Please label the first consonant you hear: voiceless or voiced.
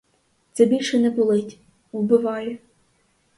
voiceless